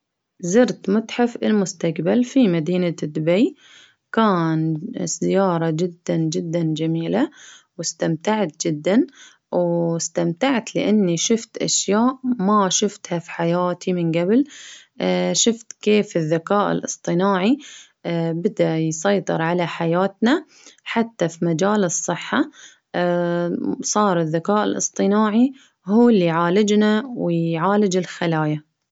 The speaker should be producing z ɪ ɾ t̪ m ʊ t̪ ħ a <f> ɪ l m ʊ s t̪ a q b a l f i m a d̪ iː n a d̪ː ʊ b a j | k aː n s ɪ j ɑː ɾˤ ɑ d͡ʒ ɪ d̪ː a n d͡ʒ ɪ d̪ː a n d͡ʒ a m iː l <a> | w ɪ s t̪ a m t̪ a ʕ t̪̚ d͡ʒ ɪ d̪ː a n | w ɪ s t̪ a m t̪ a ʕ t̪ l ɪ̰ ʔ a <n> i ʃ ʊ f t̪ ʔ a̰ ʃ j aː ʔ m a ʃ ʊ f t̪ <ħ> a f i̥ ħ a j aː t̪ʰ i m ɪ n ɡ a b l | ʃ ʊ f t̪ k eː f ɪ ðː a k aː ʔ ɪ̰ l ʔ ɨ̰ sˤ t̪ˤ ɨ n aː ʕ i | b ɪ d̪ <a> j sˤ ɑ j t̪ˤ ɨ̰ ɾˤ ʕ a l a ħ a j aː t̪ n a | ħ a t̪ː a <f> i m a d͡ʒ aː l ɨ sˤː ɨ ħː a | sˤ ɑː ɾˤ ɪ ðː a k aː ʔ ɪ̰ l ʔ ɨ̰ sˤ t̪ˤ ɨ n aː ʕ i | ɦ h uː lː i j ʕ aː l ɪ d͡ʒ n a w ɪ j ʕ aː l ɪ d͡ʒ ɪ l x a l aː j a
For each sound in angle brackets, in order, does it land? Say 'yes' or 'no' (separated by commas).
yes, yes, no, no, yes, yes